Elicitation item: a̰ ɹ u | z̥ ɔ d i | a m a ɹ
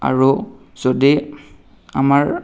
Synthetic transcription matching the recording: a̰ ɹ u | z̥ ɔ d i | a m a ɹ